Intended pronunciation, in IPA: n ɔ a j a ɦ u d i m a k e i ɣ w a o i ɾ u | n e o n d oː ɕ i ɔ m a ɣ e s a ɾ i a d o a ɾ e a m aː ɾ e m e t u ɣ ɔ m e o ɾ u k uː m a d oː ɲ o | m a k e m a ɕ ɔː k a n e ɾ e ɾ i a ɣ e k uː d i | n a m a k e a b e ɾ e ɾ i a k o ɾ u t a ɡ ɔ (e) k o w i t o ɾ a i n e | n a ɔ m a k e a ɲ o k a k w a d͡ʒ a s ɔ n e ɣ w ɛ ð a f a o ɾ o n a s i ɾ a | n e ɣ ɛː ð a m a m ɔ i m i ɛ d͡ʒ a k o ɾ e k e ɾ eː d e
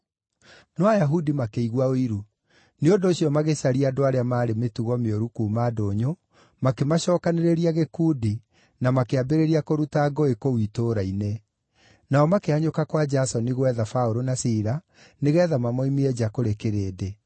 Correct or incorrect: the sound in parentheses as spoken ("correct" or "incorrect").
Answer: correct